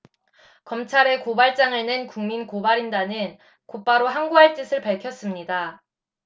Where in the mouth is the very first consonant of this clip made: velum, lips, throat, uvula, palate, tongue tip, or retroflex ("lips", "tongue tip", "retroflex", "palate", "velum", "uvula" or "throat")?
velum